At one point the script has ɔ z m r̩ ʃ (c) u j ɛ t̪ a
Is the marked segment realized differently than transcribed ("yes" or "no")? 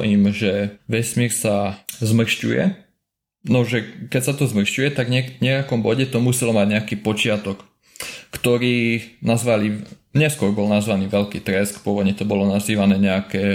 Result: no